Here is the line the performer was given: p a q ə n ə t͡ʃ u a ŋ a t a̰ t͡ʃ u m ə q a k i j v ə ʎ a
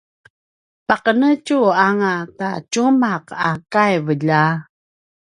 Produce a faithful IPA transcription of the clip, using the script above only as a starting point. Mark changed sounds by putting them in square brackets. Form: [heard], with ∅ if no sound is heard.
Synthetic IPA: p a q ə n ə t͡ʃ u a ŋ a t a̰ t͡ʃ u m [a] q a k [a] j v ə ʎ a